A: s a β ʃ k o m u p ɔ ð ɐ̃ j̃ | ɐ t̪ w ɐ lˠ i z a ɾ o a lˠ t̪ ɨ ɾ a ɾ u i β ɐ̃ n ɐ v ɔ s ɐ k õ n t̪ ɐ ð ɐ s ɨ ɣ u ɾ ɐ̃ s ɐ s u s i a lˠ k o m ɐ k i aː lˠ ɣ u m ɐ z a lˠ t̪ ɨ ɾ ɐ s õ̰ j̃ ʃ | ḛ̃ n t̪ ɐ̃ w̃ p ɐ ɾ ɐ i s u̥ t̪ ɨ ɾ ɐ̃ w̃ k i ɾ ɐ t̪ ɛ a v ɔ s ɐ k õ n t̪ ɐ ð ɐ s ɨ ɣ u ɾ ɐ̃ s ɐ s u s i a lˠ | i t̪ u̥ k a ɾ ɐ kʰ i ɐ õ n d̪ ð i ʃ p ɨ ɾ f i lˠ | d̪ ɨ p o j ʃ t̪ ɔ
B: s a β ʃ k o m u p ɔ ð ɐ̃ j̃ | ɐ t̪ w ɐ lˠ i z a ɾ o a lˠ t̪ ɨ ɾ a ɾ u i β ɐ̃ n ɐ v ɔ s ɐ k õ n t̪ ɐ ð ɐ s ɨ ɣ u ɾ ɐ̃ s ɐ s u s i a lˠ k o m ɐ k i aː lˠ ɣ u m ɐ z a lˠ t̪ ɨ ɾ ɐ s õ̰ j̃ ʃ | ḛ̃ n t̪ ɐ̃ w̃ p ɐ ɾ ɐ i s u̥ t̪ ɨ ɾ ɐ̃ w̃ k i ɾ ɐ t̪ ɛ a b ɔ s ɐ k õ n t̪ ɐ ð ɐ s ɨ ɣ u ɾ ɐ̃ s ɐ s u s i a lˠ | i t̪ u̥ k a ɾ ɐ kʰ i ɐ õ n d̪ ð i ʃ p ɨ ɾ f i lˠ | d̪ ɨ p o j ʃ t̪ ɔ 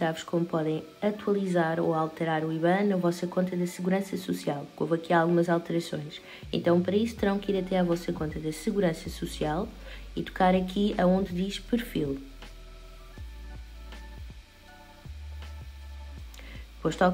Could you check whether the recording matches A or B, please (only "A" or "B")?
A